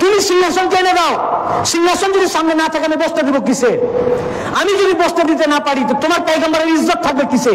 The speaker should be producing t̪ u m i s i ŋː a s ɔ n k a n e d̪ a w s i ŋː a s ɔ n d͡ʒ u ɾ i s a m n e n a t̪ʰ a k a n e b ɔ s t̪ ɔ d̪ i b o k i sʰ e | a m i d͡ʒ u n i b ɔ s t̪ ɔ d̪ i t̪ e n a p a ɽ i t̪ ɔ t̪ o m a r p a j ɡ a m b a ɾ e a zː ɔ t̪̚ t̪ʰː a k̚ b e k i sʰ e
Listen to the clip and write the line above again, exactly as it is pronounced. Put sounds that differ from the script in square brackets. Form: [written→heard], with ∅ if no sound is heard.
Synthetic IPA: t̪ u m i s i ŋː a s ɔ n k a n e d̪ a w s i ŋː a s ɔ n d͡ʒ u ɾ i s a m n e n a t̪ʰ a k a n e b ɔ s t̪ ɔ d̪ i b o k i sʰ e | a m i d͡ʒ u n i b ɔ s t̪ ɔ d̪ i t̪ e n a p a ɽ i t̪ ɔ t̪ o m a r p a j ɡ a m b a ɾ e [a→i] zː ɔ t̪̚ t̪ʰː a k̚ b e k i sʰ e